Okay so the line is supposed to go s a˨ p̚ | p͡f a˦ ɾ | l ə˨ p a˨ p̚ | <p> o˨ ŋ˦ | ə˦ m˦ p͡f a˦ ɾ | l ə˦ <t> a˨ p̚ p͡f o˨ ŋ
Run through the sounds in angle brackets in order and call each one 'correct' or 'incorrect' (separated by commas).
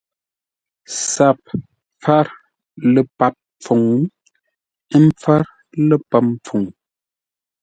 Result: incorrect, incorrect